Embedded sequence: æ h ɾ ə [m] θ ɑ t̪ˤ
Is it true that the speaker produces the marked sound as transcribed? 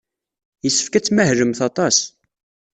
yes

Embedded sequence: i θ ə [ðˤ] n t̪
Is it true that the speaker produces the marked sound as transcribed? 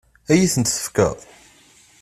no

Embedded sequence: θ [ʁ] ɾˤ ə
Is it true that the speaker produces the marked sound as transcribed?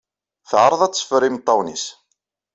no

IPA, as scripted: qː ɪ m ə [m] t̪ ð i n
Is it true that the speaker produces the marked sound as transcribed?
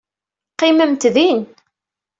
yes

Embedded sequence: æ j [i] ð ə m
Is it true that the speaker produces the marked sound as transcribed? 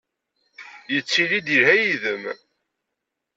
yes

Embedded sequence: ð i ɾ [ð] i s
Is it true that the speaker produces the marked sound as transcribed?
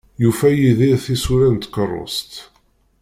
no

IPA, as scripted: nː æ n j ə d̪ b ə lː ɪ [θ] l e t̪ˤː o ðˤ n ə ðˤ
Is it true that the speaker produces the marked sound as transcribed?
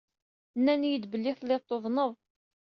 yes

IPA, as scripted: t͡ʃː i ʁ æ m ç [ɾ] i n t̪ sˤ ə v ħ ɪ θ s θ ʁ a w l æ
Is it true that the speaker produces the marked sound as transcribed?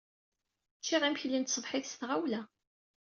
no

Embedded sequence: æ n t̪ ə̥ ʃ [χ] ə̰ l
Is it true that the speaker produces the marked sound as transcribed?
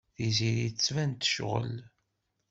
no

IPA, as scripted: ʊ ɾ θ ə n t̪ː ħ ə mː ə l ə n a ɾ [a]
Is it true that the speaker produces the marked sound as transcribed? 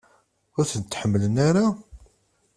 yes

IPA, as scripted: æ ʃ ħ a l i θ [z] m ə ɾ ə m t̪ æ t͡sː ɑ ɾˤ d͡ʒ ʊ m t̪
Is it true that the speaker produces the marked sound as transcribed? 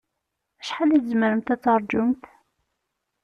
yes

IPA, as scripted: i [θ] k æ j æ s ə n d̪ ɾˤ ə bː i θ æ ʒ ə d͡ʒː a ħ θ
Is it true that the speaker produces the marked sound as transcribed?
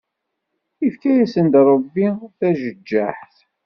no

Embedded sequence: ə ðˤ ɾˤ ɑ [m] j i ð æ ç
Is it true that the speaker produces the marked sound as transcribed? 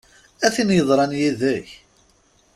no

